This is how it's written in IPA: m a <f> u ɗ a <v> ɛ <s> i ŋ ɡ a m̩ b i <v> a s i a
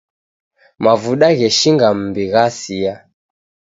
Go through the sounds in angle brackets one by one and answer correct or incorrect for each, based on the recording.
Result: incorrect, incorrect, incorrect, incorrect

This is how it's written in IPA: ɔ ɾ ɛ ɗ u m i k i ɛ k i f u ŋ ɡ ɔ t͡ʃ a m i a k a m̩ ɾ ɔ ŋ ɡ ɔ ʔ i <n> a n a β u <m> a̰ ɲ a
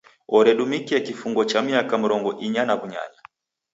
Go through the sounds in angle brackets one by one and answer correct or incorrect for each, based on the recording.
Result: incorrect, incorrect

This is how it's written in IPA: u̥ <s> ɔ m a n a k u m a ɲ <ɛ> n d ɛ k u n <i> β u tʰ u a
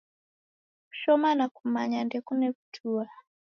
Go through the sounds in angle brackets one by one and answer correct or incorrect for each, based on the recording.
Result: incorrect, incorrect, incorrect

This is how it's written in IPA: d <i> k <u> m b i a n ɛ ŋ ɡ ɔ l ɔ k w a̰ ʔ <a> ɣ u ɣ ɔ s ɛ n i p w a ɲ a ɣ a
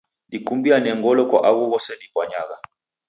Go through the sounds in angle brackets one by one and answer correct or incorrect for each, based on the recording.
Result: correct, correct, correct

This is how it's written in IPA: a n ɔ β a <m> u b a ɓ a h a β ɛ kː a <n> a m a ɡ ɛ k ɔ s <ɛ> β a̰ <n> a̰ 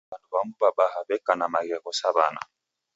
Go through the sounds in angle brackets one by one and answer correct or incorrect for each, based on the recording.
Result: correct, correct, incorrect, correct

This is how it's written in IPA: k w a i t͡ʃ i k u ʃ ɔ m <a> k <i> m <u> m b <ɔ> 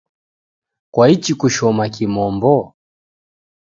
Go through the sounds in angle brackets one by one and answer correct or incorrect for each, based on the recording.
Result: correct, correct, incorrect, correct

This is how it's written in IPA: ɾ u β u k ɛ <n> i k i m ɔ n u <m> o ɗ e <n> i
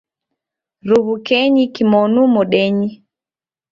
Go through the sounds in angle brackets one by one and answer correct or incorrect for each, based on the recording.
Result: incorrect, correct, incorrect

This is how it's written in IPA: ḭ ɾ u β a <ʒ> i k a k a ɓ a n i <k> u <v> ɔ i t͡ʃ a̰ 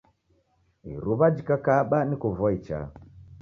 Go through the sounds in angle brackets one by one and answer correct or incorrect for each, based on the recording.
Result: incorrect, correct, correct

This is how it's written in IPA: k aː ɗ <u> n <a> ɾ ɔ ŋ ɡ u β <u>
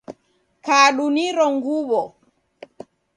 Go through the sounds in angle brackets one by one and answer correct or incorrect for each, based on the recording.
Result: correct, incorrect, incorrect

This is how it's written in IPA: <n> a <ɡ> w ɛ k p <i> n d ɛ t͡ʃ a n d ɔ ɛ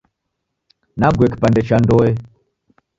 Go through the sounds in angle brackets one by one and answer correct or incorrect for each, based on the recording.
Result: correct, correct, incorrect

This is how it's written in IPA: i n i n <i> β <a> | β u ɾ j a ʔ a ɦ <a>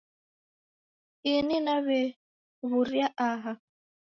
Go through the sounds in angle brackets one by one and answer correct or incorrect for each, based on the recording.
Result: incorrect, incorrect, correct

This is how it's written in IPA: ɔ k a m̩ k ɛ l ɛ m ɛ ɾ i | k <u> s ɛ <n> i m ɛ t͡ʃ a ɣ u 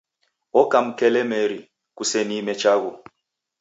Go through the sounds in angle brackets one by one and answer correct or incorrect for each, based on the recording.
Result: correct, correct

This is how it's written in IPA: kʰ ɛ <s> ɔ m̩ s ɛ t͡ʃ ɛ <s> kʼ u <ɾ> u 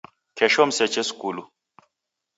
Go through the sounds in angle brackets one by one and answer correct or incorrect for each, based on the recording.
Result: incorrect, correct, incorrect

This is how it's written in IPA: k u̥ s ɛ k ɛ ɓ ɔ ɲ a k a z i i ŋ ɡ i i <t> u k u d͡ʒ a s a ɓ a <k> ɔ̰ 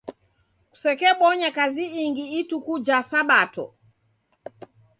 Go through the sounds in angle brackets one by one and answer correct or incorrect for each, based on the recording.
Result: correct, incorrect

